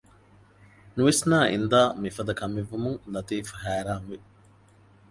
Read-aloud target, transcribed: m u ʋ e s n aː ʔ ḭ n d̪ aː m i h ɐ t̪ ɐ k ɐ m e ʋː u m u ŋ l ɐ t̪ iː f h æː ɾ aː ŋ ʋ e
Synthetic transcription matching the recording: n u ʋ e s n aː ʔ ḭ n d̪ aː m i f ɐ d̪ ɐ k ɐ m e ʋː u m u ŋ l ɐ t̪ iː f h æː ɾ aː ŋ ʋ e